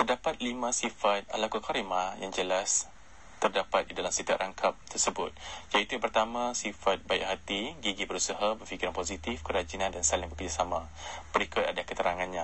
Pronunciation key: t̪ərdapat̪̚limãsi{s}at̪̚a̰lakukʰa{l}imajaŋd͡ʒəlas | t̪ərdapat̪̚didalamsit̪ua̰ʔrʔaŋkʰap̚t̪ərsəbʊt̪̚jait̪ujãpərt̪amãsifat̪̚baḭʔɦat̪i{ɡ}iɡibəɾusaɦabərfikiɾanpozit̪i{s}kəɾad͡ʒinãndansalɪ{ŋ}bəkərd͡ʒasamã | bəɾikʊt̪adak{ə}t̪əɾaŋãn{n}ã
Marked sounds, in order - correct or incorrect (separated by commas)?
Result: incorrect, incorrect, correct, incorrect, correct, correct, incorrect